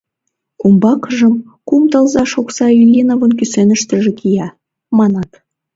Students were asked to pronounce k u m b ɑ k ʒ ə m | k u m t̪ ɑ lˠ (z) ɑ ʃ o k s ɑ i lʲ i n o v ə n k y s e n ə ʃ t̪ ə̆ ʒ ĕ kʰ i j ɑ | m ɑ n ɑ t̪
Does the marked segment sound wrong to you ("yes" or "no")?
no